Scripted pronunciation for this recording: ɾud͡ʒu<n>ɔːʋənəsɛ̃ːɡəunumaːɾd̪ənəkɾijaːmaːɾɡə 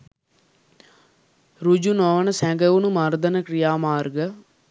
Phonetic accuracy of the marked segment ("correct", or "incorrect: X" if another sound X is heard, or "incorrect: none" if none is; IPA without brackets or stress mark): correct